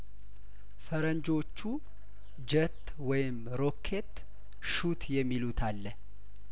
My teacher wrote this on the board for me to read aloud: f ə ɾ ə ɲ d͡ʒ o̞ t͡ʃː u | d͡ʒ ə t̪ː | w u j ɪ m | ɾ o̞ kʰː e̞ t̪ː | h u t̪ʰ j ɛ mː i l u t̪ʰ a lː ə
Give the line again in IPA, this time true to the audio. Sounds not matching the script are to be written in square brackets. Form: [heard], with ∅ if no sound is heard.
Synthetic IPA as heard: f ə ɾ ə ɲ d͡ʒ o̞ t͡ʃː u | d͡ʒ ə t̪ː | w [ɔ] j ɪ m | ɾ o̞ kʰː e̞ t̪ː | [ʃ] u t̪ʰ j ɛ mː i l u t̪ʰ a lː ə

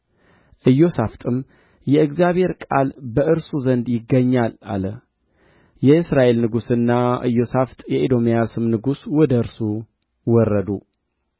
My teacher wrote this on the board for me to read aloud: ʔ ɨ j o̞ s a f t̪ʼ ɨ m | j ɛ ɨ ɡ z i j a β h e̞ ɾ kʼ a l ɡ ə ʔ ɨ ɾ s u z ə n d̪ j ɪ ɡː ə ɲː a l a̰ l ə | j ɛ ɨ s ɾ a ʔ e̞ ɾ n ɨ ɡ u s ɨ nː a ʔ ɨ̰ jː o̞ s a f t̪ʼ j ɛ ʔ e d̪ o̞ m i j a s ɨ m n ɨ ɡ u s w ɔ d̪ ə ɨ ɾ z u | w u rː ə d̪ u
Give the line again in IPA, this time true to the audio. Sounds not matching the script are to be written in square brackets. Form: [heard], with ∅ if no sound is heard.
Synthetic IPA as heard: ʔ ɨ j o̞ s a f t̪ʼ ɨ m | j ɛ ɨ ɡ z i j a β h e̞ ɾ kʼ a l [b] ə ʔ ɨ ɾ s u z ə n d̪ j ɪ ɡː ə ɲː a l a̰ l ə | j ɛ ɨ s ɾ a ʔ e̞ [l] n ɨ ɡ u s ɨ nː a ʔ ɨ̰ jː o̞ s a f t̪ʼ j ɛ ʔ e d̪ o̞ m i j a s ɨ m n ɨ ɡ u s w ɔ d̪ ə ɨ ɾ [s] u | w [ɔ] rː ə d̪ u

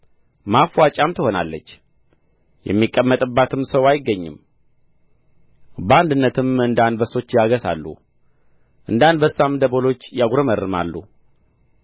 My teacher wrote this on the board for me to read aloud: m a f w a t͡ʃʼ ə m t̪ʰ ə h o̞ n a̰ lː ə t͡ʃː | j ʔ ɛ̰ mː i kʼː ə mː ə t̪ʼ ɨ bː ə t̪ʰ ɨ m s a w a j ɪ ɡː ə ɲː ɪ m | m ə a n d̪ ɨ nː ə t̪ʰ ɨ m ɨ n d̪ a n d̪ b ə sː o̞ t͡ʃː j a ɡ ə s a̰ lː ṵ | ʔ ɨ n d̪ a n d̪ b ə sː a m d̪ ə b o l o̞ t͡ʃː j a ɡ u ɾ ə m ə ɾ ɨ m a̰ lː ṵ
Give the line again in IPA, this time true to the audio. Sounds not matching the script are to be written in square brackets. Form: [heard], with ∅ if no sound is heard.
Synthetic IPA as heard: m a f w a t͡ʃʼ [a] m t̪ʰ ə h o̞ n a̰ lː ə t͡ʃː | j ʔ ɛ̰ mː i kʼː ə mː ə t̪ʼ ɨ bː [a] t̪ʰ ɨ m s [ə] w a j ɪ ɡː ə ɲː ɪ m | [b] ə a n d̪ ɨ nː ə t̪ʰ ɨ m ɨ n d̪ a n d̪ b ə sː o̞ t͡ʃː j a ɡ ə s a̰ lː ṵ | ʔ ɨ n d̪ a n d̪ b ə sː a m d̪ ə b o l o̞ t͡ʃː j a ɡ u ɾ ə m ə ɾ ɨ m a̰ lː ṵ

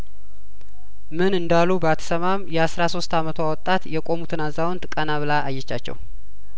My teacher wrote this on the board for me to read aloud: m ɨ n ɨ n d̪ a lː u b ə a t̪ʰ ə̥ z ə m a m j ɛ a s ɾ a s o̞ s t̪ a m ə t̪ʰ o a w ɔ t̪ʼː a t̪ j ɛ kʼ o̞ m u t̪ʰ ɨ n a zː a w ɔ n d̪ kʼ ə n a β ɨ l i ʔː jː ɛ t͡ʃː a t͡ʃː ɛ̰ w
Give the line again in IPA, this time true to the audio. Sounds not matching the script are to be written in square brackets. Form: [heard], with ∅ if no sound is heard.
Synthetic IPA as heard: m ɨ n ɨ n d̪ a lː u b ə a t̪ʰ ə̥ [s] ə m a m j ɛ a s ɾ a s o̞ s t̪ a m ə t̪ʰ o a w ɔ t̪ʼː a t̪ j ɛ kʼ o̞ m u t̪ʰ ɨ n a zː a w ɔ n [t̪] kʼ ə n a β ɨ l [a] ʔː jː ɛ t͡ʃː a t͡ʃː ɛ̰ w

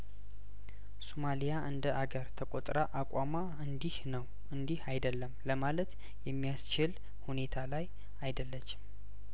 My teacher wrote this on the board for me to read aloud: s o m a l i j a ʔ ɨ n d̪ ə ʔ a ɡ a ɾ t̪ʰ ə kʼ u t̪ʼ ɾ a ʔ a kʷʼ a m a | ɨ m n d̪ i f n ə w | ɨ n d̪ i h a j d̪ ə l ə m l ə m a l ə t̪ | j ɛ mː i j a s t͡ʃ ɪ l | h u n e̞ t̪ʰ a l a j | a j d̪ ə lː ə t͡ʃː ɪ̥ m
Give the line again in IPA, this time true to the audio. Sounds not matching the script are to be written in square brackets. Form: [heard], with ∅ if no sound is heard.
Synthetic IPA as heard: s o m a l i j a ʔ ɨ n d̪ ə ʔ a ɡ [ə] ɾ t̪ʰ ə kʼ [o] t̪ʼ ɾ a ʔ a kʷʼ a m a | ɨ [∅] n d̪ i [h] n ə w | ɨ n d̪ i h a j d̪ ə [lː] ə m l ə m a l ə t̪ | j ɛ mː i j a s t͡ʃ ɪ l | h u n e̞ t̪ʰ a l a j | a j d̪ ə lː ə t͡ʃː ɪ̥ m

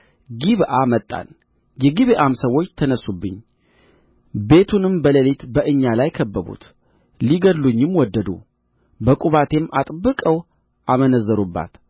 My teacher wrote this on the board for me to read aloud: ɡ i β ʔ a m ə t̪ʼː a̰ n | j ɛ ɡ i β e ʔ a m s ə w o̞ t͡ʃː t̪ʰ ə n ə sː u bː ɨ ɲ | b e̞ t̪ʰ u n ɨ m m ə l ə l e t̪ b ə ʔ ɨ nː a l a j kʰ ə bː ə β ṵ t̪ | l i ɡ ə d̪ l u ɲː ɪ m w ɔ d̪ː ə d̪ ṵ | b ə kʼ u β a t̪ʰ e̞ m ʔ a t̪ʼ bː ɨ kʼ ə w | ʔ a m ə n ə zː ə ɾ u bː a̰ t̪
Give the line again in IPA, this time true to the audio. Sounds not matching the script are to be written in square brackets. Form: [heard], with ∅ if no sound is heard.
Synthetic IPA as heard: ɡ i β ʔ a m ə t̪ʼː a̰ n | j ɛ ɡ i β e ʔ a m s ə w o̞ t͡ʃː t̪ʰ ə n ə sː u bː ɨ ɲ | b e̞ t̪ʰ u n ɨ m [b] ə l ə l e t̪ b ə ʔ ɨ [ɲː] a l a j kʰ ə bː ə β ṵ t̪ | l i ɡ ə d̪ l u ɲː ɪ m w ɔ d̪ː ə d̪ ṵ | b ə kʼ u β a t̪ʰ e̞ m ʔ a t̪ʼ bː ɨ kʼ ə w | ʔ a m ə n ə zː ə ɾ u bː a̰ t̪

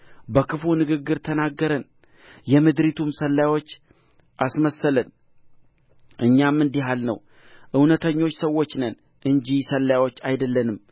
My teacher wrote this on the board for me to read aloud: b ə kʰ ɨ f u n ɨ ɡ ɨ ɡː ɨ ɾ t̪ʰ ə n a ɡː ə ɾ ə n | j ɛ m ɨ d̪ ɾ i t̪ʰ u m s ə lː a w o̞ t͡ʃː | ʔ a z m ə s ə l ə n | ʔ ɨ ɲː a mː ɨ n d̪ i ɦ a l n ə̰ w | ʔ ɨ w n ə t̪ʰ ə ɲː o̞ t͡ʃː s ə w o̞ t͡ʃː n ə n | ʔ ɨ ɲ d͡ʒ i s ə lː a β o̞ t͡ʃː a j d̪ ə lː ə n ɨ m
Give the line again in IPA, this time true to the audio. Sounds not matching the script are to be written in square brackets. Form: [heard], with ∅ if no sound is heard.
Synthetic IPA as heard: b ə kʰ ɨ f u n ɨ ɡ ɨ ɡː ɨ ɾ t̪ʰ ə n a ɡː ə ɾ ə n | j ɛ m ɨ d̪ ɾ i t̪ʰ u m s ə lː a w o̞ t͡ʃː | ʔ a [s] m ə s ə l ə n | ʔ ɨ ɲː a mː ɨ n d̪ i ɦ a l n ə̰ w | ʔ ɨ w n ə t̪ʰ ə ɲː o̞ t͡ʃː s ə w o̞ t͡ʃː n ə n | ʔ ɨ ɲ d͡ʒ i s ə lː a [w] o̞ t͡ʃː a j d̪ ə lː ə n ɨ m

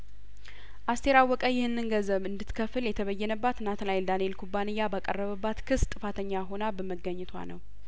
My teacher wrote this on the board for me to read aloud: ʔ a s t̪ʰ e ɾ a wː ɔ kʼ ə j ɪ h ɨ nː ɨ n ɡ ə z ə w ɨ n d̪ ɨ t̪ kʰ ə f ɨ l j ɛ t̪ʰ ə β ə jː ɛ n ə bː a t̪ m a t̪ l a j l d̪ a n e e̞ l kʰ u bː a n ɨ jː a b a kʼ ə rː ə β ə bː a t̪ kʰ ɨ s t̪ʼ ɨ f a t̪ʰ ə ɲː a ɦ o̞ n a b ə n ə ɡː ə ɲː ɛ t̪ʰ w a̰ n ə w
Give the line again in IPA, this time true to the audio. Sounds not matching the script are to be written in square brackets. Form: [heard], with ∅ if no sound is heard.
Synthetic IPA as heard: ʔ a s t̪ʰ e ɾ a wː ɔ kʼ ə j ɪ h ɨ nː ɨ n ɡ ə z ə [β] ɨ n d̪ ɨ t̪ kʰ ə f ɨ l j ɛ t̪ʰ ə β ə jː ɛ n ə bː a t̪ [n] a t̪ l a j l d̪ a n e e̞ l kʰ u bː a n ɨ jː a b a kʼ ə rː ə β ə bː a t̪ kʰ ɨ s t̪ʼ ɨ f a t̪ʰ ə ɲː a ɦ o̞ n a b ə [m] ə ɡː ə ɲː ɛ t̪ʰ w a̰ n ə w

